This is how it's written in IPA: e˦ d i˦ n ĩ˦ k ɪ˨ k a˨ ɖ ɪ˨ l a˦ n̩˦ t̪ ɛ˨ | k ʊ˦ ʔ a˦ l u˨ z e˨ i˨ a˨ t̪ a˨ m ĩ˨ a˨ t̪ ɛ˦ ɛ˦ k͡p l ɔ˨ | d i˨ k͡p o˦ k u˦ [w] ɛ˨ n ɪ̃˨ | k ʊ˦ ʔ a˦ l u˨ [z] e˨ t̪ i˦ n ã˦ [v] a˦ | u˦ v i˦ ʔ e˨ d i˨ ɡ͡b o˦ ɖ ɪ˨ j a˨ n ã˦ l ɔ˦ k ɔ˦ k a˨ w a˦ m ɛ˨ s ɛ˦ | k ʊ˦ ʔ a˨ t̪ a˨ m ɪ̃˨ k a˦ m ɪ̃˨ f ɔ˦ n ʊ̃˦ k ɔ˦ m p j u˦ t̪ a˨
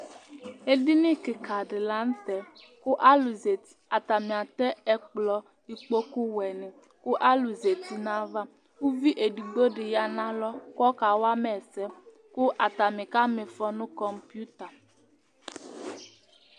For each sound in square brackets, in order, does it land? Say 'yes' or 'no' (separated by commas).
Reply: yes, yes, yes